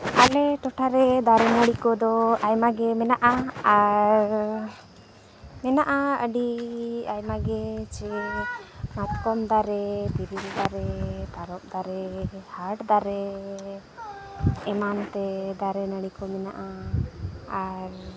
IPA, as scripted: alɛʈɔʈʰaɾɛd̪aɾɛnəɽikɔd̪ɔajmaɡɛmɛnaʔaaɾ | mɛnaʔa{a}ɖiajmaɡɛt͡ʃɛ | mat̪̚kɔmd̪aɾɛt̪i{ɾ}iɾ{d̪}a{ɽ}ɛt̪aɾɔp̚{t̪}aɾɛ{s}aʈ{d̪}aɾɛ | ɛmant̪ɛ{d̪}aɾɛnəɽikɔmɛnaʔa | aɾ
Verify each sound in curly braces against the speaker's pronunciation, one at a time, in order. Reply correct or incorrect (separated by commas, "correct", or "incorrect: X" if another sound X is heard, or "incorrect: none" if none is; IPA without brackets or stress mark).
incorrect: ə, correct, correct, incorrect: ɾ, incorrect: d̪, incorrect: h, correct, correct